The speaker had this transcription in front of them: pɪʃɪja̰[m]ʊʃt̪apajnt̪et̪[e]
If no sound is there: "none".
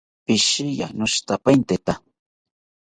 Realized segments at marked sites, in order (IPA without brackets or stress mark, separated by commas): n, a